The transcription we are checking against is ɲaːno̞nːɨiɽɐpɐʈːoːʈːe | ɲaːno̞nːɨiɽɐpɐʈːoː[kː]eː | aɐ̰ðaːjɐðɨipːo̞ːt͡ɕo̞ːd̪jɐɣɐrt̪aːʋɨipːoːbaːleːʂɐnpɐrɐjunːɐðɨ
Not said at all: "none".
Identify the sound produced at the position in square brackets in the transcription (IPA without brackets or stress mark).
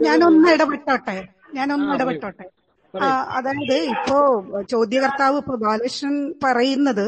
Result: ʈː